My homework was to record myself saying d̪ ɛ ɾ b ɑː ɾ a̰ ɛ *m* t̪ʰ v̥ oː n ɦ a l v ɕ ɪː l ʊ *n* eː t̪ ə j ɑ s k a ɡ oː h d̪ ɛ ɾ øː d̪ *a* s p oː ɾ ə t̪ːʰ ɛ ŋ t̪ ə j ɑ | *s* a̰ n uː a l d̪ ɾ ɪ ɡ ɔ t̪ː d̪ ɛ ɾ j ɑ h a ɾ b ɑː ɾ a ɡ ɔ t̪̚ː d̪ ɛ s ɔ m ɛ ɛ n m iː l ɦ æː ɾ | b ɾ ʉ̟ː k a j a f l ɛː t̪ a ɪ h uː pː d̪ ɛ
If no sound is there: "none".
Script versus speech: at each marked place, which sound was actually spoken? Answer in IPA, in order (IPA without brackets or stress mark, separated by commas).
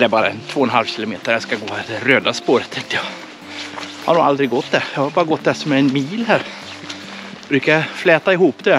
n, m, a, h